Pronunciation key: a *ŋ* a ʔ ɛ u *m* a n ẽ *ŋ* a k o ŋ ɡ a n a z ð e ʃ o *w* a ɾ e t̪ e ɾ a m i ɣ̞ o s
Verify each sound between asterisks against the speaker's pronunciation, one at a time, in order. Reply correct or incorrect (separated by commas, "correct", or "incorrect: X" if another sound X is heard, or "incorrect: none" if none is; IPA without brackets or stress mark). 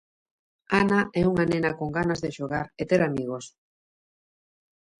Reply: incorrect: n, incorrect: ŋ, incorrect: n, incorrect: ɣ